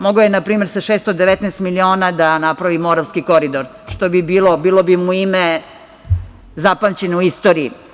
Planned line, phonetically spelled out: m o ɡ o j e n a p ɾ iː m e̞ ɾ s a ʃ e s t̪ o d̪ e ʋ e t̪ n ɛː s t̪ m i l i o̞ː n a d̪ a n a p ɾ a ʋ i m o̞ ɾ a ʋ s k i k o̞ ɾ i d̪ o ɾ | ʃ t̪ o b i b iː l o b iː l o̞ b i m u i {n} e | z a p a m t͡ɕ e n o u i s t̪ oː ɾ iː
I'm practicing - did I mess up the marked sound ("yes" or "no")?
yes